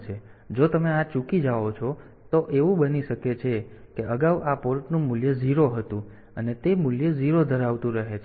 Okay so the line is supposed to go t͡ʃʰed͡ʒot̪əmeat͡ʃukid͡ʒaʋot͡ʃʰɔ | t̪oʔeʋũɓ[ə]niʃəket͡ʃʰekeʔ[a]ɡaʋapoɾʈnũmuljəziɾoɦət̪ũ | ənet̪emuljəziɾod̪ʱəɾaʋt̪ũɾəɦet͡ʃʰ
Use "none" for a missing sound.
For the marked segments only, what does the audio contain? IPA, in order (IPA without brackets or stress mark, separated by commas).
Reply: ə, ə